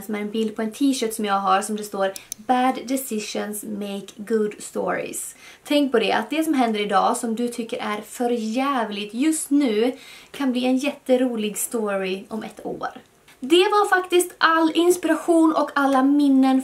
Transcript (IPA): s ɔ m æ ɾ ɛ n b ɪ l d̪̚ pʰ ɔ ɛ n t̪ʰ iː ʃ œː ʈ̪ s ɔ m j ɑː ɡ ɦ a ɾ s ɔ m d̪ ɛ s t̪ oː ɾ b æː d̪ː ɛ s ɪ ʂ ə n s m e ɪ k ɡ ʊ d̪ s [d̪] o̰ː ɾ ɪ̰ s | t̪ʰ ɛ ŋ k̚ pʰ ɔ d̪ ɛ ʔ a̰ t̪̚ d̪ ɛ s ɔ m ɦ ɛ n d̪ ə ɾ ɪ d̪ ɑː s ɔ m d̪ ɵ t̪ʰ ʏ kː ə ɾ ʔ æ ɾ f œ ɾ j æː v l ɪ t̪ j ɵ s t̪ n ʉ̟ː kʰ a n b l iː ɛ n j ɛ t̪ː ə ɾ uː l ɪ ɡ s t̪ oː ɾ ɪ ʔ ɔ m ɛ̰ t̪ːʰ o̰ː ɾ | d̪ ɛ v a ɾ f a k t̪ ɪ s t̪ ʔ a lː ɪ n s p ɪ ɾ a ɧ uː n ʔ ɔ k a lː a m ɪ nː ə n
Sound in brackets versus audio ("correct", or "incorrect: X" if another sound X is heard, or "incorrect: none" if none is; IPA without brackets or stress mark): incorrect: t̪